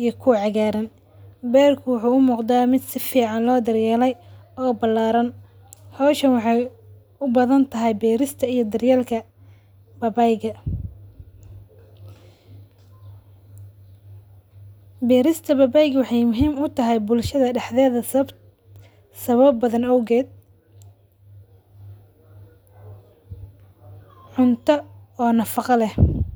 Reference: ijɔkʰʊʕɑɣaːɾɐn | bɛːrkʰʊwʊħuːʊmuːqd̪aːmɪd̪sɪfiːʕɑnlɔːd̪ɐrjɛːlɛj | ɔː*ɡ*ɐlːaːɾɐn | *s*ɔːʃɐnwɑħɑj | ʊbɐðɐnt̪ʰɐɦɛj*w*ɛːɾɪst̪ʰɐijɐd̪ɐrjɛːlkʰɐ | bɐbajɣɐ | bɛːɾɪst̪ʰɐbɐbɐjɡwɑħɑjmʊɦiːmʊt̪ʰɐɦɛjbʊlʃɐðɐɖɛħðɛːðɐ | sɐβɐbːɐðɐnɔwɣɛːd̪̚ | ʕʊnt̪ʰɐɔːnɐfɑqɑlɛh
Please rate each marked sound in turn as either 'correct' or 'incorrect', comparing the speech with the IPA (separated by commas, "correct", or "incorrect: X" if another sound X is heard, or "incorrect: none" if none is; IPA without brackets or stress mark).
incorrect: b, incorrect: h, incorrect: b